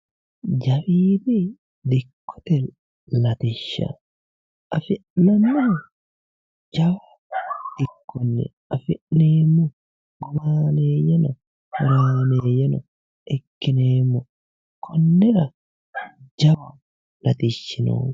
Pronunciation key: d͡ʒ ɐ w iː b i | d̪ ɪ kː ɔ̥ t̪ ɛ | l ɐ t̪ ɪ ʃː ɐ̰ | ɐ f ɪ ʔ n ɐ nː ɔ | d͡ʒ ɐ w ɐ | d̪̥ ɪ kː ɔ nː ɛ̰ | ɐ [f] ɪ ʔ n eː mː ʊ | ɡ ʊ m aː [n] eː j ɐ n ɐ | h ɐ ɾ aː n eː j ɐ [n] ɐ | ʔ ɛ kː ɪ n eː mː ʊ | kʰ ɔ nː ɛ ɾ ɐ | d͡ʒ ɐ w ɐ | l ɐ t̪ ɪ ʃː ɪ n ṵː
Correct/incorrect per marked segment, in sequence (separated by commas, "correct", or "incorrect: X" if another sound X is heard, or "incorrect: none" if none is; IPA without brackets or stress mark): correct, correct, correct